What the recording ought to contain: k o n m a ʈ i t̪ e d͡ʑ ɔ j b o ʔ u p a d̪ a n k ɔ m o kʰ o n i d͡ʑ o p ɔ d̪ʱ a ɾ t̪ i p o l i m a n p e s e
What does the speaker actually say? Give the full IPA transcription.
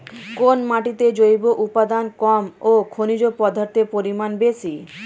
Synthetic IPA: k o n m a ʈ i t̪ e d͡ʑ o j b o ʔ u p a d̪ a n k ɔ m o kʰ o n i d͡ʑ o p ɔ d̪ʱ a ɾ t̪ e p o ɾ i m a n b e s i